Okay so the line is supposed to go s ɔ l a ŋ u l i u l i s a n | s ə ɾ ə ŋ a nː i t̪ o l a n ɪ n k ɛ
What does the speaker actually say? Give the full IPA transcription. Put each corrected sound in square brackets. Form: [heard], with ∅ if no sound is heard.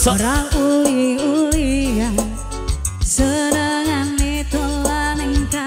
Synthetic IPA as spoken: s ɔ [ɾ] a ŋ u l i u l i [∅] a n | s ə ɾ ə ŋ a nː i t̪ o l a n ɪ [ŋ] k [a]

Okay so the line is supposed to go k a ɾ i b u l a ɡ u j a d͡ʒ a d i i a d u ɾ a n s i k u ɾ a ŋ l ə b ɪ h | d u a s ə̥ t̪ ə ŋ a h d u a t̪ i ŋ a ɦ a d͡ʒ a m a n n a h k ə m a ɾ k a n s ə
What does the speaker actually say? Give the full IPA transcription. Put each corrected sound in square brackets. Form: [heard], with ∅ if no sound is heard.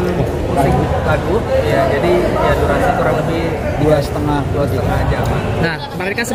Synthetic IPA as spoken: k a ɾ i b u l a ɡ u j a d͡ʒ a d i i a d u ɾ a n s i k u ɾ a ŋ l ə b ɪ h | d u a s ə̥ t̪ ə ŋ a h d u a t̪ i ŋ a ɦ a d͡ʒ a m a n n a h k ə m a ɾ k a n s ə

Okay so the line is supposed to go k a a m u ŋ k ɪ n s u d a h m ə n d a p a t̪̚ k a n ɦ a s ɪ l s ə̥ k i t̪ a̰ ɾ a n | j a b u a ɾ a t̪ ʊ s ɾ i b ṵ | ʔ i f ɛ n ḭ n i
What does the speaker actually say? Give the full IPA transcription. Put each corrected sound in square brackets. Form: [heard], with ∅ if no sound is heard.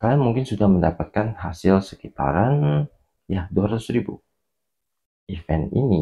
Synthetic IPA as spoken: k a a m u ŋ k ɪ n s u d a h m ə n d a p a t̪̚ k a n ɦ a s ɪ l s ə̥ k i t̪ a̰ ɾ a n | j a [d] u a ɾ a t̪ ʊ s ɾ i b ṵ | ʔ i f ɛ n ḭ n i

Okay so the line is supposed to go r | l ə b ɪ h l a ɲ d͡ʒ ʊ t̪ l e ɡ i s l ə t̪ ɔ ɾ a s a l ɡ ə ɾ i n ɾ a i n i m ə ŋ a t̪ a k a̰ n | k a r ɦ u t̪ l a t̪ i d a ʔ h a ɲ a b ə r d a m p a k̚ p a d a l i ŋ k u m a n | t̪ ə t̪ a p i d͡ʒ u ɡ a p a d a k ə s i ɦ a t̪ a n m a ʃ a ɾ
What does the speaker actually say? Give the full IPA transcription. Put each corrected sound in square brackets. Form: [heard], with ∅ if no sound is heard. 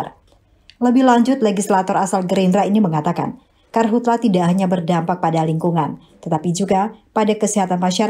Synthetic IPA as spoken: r | l ə b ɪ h l a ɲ d͡ʒ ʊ t̪ l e ɡ i s l [a] t̪ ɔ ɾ a s a l ɡ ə ɾ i n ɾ a i n i m ə ŋ a t̪ a k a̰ n | k a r ɦ u t̪ l a t̪ i d a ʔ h a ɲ a b ə r d a m p a k̚ p a d a l i ŋ k u [ŋ] a n | t̪ ə t̪ a p i d͡ʒ u ɡ a p a d a k ə s i ɦ a t̪ a n m a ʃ a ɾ

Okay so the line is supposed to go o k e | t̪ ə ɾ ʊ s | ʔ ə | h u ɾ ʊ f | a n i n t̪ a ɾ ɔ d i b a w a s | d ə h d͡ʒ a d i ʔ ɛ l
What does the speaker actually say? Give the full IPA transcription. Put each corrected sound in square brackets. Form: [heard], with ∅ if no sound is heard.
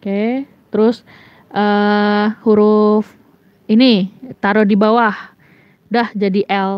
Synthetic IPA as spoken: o k e | t̪ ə ɾ ʊ s | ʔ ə | h u ɾ ʊ f | [i] n i [∅] t̪ a ɾ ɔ d i b a w a [h] | d [a] h d͡ʒ a d i ʔ ɛ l

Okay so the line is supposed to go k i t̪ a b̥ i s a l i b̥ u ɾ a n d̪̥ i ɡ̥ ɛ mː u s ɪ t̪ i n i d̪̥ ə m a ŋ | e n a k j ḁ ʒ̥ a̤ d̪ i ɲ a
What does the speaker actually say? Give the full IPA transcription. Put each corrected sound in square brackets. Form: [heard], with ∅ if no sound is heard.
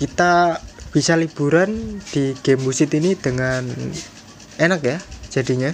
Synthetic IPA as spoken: k i t̪ a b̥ i s a l i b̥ u ɾ a n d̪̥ i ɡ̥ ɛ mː u s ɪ t̪ i n i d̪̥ ə [ŋ] a [n] | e n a k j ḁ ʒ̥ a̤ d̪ i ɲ a

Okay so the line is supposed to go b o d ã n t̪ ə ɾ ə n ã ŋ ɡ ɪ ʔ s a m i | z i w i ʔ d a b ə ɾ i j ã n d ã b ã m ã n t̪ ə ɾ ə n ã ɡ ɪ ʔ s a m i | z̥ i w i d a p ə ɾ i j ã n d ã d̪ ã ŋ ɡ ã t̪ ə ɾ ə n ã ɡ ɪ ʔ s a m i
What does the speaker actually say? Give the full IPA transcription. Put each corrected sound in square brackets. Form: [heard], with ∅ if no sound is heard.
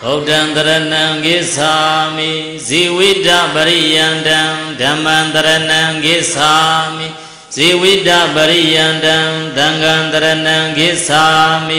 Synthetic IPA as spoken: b o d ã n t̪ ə ɾ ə n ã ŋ ɡ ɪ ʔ s a m i | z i w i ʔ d a b ə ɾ i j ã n d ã [d] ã m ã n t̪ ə ɾ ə n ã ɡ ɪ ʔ s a m i | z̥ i w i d a [b] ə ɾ i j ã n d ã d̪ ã ŋ ɡ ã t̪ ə ɾ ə n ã ɡ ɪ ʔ s a m i

